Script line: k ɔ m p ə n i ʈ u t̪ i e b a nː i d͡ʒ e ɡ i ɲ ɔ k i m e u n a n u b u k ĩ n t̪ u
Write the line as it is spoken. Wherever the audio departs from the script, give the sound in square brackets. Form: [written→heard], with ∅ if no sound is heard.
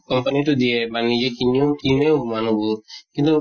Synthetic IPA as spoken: k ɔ m p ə n i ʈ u [t̪→d̪] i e b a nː i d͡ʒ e [ɡ→k] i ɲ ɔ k i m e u [n→m] a n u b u k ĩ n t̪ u

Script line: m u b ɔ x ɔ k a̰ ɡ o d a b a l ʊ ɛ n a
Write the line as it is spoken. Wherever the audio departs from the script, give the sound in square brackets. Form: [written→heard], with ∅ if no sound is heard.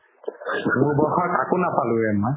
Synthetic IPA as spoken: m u b ɔ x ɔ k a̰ [ɡ→k] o [d→n] a [b→p] a l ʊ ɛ [n→m] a

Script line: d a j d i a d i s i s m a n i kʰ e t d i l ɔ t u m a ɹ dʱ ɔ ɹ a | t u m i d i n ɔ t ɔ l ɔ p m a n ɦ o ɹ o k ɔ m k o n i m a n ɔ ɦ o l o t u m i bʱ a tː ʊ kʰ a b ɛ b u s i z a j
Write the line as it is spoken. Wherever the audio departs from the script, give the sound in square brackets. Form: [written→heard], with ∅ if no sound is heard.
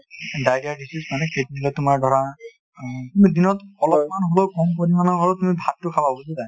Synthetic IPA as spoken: d a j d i a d i s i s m a n [i→ɛ] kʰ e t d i l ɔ t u m a ɹ dʱ ɔ ɹ a | t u m i d i n ɔ t ɔ l ɔ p m a n ɦ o [ɹ→l] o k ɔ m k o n i m a n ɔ ɦ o l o t u m i bʱ a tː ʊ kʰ a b [ɛ→a] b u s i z a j

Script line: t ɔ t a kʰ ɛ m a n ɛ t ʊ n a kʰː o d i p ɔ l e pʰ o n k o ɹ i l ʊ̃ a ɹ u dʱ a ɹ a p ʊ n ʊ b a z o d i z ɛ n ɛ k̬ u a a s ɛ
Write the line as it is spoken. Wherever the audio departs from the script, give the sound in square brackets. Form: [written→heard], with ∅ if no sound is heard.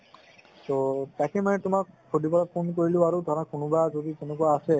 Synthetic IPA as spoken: t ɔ t a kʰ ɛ m a n ɛ t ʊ [n→m] a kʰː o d i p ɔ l [e→a] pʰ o n k o ɹ i l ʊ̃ a ɹ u dʱ a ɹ a [p→k] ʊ n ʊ b a z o d i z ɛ n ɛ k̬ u a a s ɛ

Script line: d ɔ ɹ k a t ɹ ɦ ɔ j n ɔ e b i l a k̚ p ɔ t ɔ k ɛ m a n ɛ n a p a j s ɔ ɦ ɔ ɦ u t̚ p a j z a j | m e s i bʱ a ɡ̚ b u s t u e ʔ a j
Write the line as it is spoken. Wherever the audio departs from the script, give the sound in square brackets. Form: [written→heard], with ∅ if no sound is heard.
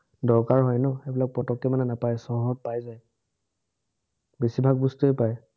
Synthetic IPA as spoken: d ɔ ɹ k a [t→∅] ɹ ɦ ɔ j n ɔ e b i l a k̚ p ɔ t ɔ k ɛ m a n ɛ n a p a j s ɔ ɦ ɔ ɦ [u→ɔ] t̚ p a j z a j | [m→b] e s i bʱ a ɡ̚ b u s t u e [ʔ→p] a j

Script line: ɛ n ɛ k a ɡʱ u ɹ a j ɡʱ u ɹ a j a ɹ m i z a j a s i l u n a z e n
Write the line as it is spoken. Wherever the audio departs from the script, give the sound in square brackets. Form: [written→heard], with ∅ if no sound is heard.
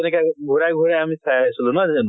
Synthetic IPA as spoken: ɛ n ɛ k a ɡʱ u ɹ a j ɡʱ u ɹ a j a [ɹ→∅] m i [z→s] a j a s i l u n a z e n

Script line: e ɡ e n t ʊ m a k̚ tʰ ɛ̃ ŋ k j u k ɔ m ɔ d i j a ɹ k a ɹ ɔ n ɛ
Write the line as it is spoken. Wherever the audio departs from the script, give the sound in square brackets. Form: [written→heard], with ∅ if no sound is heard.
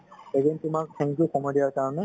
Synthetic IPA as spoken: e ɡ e n t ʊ m a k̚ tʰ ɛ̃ ŋ k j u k ɔ m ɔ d i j a ɹ k a ɹ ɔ n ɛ

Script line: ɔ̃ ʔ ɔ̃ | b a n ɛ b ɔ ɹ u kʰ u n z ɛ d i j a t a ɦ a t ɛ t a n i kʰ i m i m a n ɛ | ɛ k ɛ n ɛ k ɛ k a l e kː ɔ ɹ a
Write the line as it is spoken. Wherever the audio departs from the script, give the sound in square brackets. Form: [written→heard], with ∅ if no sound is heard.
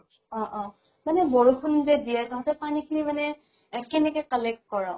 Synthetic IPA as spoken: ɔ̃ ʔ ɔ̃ | [b→m] a n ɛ b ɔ ɹ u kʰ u n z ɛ d i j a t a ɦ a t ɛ [t→p] a n i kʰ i [m→n] i m a n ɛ | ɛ k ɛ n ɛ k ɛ k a l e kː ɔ ɹ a

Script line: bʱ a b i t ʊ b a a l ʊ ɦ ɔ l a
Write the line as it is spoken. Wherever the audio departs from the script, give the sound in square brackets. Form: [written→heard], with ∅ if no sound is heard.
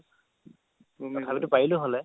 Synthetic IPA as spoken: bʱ a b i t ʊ [b→p] a [a→i] l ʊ ɦ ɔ l [a→ɛ]

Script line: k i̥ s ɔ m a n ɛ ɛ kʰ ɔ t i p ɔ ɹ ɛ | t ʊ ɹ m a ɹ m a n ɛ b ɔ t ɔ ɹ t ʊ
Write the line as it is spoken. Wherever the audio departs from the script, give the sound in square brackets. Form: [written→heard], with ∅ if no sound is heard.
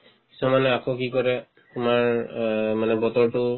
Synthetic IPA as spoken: k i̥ s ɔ m a n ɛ [ɛ→a] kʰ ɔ [t→k] i [p→k] ɔ ɹ ɛ | t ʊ [ɹ→∅] m a ɹ m a n ɛ b ɔ t ɔ ɹ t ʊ

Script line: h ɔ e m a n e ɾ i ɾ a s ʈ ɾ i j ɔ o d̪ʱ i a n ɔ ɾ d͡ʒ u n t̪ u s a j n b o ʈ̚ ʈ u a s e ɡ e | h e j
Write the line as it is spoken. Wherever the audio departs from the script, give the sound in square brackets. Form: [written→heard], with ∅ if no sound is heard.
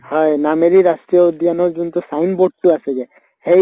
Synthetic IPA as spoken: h ɔ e [m→n] a [n→m] e ɾ i ɾ a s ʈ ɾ i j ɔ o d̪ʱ i a n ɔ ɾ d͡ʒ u n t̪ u s a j n b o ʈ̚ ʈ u a s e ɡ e | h e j

